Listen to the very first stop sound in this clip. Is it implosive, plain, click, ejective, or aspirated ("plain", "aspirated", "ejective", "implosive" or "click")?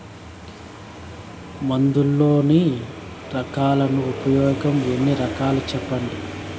plain